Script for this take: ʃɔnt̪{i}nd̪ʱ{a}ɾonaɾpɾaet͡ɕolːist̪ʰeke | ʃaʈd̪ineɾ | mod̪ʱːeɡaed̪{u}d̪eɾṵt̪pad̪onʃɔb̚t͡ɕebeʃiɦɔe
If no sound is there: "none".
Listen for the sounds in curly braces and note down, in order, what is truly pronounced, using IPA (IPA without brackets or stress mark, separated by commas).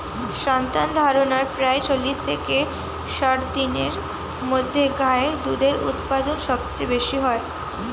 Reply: a, a, u